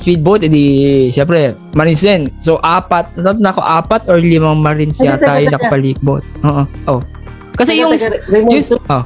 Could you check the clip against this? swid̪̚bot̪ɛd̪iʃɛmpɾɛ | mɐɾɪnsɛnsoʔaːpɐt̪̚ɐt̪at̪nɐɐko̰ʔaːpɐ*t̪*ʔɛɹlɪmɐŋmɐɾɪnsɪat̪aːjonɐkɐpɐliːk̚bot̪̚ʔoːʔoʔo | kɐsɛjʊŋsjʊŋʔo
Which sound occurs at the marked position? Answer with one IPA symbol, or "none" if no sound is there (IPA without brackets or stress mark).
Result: t̪